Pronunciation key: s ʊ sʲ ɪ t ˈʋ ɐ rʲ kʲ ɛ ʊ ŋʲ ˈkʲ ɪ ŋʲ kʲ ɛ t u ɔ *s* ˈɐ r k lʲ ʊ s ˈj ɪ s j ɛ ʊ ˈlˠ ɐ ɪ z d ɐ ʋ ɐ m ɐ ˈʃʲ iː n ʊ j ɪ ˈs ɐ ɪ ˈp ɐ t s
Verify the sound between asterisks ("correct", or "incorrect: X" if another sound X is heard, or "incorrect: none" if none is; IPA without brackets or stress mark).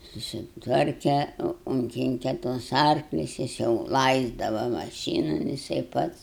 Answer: correct